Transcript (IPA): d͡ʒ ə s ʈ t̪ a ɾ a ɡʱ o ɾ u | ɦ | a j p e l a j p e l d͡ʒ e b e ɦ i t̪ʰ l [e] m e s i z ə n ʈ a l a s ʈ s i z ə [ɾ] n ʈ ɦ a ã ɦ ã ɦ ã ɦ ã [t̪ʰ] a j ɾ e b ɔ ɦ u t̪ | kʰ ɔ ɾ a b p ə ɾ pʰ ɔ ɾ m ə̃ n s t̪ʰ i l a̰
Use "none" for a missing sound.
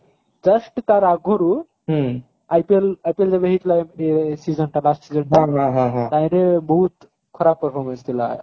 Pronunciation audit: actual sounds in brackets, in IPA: a, none, t̪

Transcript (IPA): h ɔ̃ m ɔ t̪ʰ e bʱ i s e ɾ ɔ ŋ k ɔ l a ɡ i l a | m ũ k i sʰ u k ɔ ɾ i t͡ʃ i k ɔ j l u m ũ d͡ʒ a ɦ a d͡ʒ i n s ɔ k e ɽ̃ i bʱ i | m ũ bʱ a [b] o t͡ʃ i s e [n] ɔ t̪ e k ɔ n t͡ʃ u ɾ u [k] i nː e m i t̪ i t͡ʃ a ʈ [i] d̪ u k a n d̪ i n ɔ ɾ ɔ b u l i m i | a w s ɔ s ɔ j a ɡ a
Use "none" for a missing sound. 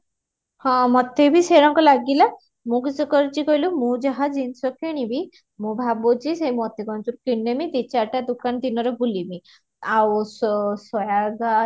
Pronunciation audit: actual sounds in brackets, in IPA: b, m, k, a

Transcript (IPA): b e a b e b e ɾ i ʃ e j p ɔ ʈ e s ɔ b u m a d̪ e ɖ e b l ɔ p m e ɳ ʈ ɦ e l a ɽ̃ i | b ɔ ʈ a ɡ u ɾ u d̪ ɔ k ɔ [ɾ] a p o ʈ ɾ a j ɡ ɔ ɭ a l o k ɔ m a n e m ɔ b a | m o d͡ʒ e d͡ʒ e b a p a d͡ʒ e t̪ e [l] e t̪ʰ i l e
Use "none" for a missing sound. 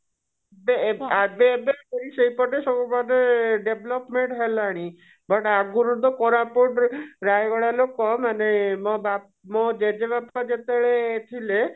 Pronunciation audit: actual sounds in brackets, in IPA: ɾ, ɭ

